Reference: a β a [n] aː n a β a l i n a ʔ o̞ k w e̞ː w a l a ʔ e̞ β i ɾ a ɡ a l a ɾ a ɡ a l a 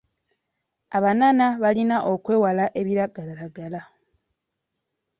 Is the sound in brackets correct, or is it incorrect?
correct